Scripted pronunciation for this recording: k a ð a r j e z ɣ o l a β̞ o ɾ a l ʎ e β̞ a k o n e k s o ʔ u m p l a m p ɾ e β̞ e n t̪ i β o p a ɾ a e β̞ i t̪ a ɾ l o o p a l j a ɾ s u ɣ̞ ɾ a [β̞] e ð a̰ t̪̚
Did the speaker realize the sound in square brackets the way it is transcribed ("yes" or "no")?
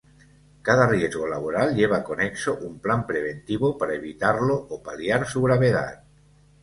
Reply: yes